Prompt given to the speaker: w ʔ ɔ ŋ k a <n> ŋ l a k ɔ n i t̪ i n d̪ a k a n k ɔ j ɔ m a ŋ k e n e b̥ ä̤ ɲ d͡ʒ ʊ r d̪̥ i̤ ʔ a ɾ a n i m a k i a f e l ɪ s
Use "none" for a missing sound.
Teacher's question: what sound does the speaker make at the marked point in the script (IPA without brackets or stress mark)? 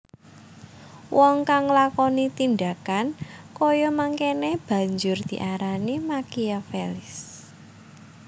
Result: none